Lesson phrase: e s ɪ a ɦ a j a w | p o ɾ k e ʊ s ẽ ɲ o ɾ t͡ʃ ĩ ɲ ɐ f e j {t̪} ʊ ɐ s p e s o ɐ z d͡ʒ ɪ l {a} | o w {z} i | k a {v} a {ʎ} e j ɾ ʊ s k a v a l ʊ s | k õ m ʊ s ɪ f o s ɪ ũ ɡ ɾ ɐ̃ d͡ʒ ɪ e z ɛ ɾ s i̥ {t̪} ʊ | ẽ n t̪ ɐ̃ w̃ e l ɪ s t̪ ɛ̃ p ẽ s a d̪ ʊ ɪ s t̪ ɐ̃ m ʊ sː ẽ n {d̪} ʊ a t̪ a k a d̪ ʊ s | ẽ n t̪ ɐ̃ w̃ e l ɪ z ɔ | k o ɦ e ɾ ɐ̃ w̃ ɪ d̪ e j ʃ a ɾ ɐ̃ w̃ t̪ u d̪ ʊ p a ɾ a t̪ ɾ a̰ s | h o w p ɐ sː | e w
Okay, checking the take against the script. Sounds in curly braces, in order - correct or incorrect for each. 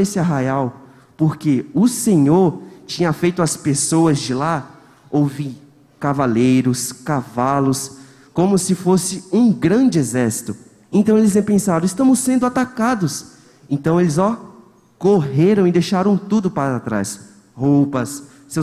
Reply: correct, correct, incorrect: v, correct, incorrect: l, correct, correct

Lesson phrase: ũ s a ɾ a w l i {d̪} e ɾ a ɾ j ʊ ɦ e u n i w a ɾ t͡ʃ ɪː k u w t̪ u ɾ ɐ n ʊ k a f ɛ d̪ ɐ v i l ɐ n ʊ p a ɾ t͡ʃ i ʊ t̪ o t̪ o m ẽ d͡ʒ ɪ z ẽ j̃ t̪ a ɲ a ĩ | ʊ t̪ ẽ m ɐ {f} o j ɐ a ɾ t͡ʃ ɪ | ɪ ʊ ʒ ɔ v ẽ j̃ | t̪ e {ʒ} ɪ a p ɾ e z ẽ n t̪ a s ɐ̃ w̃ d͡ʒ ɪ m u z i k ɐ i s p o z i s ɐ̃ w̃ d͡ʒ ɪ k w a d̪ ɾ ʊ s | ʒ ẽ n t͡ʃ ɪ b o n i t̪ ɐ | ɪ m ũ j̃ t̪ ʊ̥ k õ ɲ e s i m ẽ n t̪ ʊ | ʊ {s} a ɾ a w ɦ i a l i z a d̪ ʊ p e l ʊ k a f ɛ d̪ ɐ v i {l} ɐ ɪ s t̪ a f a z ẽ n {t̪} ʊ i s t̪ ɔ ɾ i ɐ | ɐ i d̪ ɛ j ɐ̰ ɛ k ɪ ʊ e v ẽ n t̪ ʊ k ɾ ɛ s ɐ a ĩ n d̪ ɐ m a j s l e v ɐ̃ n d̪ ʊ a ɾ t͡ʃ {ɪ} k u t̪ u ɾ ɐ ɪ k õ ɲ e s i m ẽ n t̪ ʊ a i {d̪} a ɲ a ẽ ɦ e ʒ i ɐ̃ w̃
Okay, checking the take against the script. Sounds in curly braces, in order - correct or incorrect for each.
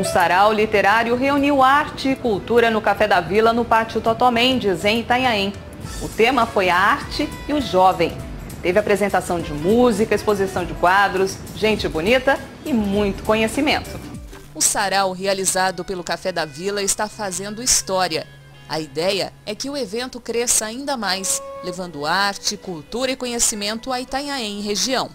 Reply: incorrect: t̪, correct, incorrect: v, correct, correct, incorrect: d̪, correct, incorrect: t̪

